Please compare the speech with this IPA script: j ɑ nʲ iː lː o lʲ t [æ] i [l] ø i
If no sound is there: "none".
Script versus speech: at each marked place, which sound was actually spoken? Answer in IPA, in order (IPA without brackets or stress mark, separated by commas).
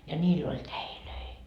æ, l